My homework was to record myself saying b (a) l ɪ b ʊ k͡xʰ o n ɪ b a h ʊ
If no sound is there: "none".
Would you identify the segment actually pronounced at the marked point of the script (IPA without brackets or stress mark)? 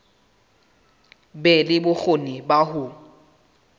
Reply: ɛ